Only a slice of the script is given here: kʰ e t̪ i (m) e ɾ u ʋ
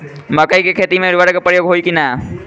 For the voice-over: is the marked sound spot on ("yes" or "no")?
yes